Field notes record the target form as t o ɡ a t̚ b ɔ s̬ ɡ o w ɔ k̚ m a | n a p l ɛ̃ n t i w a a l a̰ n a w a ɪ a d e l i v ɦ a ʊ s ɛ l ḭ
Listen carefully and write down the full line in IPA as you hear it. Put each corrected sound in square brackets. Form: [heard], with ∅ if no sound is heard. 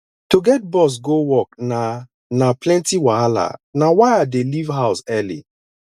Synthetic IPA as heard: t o ɡ [ɛ] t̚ b ɔ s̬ ɡ o w ɔ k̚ [n] a | n a p l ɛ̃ n t i w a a l a̰ n a w a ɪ a d e l i v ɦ a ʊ s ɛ l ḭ